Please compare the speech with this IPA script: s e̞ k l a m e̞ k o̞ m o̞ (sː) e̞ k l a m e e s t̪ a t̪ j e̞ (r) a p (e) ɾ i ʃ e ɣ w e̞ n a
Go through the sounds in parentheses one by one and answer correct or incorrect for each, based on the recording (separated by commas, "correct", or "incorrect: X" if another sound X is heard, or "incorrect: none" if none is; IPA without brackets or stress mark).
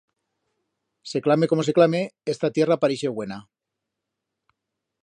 incorrect: s, correct, incorrect: a